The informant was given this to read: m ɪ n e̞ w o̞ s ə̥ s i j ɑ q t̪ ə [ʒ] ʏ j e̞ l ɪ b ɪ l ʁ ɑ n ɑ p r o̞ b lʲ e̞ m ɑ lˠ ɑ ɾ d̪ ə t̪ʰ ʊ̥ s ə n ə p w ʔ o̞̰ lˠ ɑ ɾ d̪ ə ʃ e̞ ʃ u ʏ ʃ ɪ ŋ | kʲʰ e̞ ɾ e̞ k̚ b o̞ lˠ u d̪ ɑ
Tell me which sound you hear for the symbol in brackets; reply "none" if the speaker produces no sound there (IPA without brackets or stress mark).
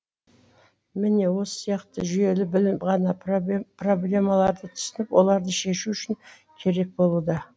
ʒ